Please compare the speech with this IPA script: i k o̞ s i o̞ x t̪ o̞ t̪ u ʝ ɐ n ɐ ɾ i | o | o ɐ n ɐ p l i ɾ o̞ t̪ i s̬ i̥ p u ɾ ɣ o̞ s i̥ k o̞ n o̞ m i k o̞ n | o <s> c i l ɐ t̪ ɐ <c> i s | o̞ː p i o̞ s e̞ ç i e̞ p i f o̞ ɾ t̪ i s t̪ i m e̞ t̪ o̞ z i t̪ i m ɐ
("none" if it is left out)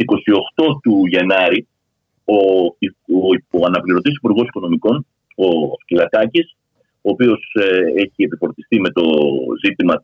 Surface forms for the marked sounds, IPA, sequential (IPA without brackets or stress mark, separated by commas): s, c